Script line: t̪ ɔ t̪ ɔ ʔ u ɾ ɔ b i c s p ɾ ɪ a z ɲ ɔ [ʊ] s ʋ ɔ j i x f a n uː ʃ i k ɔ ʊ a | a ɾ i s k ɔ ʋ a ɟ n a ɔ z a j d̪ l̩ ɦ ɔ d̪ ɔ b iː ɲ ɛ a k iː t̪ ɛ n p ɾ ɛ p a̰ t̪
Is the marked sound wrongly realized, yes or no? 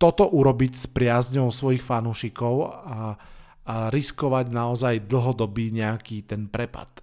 no